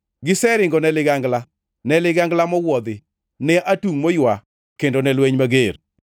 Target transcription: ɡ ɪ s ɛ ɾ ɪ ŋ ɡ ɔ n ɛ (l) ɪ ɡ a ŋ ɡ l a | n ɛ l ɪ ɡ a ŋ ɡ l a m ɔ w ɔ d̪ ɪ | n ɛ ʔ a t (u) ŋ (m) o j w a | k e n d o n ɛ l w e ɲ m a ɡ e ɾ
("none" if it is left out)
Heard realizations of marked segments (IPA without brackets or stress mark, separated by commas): l, u, m